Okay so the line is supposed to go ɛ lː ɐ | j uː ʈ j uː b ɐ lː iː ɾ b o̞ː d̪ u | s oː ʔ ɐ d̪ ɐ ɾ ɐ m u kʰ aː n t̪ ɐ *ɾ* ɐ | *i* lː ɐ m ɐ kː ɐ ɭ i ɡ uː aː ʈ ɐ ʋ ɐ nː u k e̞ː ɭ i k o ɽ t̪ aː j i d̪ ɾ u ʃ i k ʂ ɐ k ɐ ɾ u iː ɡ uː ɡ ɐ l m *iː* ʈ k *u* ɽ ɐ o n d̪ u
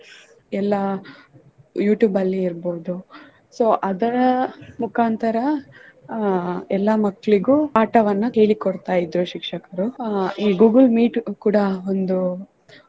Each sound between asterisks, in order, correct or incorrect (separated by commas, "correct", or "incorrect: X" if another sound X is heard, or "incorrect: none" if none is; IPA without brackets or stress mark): correct, incorrect: ɛ, correct, incorrect: uː